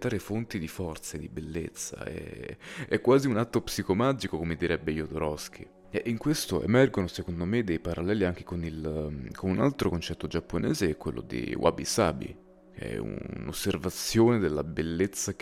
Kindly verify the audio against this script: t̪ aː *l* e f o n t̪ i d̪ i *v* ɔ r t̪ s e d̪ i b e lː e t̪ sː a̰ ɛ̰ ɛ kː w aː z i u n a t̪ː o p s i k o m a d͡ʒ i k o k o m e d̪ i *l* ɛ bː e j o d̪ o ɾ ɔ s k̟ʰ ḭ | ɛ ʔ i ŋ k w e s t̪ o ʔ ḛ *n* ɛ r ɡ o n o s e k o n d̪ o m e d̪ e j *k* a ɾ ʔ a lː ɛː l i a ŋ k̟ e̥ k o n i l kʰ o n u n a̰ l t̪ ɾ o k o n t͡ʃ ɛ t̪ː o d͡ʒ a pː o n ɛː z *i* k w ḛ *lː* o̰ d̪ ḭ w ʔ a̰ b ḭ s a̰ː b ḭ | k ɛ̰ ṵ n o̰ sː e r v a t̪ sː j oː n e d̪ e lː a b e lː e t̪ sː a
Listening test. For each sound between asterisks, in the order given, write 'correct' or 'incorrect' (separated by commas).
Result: incorrect, incorrect, incorrect, incorrect, incorrect, incorrect, correct